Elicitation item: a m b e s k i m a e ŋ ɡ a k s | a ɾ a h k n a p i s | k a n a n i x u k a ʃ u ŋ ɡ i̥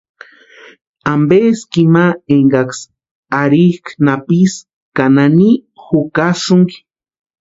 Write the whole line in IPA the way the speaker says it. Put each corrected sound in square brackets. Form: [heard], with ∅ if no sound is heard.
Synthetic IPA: a m b e s k i m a e ŋ ɡ a k s | a ɾ [i] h k n a p i s | k a n a n i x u k a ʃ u ŋ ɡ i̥

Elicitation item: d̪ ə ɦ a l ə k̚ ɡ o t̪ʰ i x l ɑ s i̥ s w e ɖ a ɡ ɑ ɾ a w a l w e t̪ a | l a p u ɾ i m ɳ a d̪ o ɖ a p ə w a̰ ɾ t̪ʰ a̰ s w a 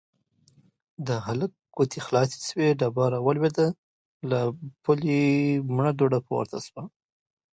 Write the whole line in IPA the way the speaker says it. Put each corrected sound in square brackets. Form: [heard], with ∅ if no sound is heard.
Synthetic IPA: d̪ ə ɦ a l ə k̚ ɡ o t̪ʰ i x l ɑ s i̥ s w e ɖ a [b] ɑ ɾ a w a l w e [d̪] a | l a p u [l] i m ɳ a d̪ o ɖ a p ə w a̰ ɾ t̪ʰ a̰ s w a

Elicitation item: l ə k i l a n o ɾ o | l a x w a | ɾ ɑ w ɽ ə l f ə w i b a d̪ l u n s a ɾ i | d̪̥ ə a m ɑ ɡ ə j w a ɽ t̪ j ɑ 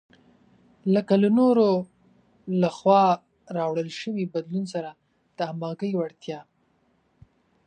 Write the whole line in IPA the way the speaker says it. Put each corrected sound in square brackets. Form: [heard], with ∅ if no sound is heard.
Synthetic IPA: l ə k [a] l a n o ɾ o | l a x w [ɑ] | ɾ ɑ w ɽ ə l [ʃ] ə w i b a d̪ l u n s a ɾ [a] | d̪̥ ə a m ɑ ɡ ə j w a ɽ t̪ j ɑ

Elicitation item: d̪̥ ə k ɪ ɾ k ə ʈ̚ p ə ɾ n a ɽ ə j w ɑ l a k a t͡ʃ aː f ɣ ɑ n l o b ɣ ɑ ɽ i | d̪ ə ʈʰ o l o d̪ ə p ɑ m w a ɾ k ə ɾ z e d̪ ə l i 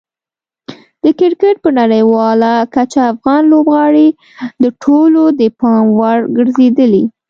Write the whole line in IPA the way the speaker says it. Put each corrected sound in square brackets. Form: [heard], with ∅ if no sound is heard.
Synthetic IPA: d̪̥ ə k ɪ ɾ k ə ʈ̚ p ə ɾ n a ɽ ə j w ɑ l a k a t͡ʃ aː f ɣ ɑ n l o b ɣ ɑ ɽ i | d̪ ə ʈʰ o l o d̪ ə p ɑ m w a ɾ [ɡ] ə ɾ z e d̪ ə l i

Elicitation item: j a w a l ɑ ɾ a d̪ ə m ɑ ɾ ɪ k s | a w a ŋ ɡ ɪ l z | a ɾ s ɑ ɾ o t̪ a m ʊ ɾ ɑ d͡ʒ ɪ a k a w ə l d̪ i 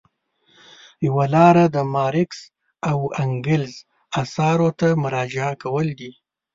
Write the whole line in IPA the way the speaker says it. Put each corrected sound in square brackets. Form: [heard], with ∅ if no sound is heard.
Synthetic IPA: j a w a l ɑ ɾ a d̪ ə m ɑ ɾ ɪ k s | a w a ŋ ɡ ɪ l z | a [∅] s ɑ ɾ o t̪ a m ʊ ɾ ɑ d͡ʒ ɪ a k a w ə l d̪ i

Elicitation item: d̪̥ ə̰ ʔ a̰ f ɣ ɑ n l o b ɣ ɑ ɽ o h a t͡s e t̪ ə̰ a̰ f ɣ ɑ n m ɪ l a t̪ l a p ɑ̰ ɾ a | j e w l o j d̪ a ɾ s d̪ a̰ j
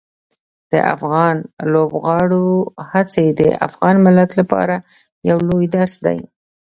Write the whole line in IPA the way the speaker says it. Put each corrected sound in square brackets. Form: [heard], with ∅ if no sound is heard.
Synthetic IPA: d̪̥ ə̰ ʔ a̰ f ɣ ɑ n l o b ɣ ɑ ɽ o h a t͡s e [d̪] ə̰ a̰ f ɣ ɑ n m ɪ l a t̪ l a p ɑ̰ ɾ a | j [a] w l o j d̪ a ɾ s d̪ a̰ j

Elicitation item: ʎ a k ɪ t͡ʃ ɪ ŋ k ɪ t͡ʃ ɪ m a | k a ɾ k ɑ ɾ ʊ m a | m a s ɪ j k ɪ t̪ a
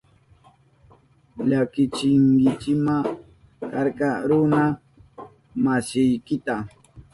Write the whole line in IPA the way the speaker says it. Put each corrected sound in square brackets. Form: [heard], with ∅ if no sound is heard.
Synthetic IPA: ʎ a k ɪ t͡ʃ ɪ ŋ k ɪ t͡ʃ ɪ m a | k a ɾ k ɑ ɾ ʊ [n] a | m a s ɪ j k ɪ t̪ a

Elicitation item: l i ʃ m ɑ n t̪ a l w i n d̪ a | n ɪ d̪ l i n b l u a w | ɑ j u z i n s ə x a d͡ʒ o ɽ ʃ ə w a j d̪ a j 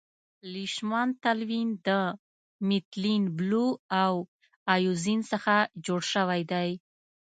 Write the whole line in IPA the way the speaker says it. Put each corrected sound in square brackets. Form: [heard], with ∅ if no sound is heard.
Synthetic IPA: l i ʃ m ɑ n t̪ a l w i n d̪ [ə] | [m] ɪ [t̪] l i n b l u a w | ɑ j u z i n s ə x a d͡ʒ o ɽ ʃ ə w a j d̪ a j

